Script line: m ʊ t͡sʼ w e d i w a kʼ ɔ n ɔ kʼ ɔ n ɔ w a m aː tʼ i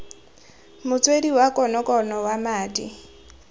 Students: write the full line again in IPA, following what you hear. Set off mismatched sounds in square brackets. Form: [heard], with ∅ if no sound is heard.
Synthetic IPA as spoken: m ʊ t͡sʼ w e d i w a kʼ ɔ n ɔ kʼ ɔ n ɔ w a m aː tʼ i